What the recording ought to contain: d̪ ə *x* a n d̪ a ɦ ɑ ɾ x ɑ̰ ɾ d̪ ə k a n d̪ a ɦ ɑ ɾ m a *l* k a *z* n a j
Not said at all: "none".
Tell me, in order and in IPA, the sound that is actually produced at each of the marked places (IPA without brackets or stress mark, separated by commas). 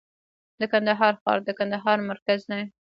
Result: k, ɾ, z